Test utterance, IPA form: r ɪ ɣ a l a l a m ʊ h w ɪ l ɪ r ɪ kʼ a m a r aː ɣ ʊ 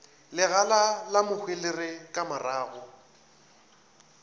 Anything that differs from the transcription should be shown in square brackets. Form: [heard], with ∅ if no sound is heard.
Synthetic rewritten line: [l] ɪ ɣ a l a l a m ʊ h w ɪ l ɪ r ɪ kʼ a m a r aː ɣ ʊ

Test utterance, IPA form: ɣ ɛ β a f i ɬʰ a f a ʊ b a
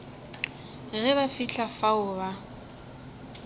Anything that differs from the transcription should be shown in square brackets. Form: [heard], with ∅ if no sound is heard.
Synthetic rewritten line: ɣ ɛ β a f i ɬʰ a f a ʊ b a

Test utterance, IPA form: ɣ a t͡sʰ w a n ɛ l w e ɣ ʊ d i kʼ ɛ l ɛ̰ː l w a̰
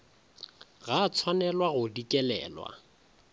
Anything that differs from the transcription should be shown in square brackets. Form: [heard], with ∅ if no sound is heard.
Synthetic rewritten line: ɣ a t͡sʰ w a n ɛ l w [a] ɣ ʊ d i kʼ ɛ l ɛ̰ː l w a̰

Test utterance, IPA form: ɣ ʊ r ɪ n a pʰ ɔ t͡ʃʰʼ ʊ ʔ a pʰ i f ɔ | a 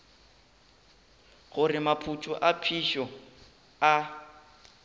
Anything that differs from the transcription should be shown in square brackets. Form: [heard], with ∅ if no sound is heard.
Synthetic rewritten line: ɣ ʊ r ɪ [m] a pʰ [u] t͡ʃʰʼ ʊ ʔ a pʰ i [ʃ] ɔ | a

